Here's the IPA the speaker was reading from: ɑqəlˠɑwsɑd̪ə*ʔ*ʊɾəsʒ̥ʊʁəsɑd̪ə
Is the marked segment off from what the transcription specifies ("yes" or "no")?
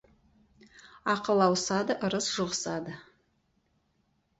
no